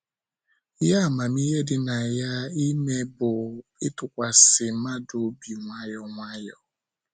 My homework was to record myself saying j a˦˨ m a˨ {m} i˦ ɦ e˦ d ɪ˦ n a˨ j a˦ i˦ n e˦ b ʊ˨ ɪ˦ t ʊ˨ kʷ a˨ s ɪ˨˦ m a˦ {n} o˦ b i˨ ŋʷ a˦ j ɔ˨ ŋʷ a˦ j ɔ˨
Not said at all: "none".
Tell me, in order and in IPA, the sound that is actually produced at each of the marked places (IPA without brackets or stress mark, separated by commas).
m, d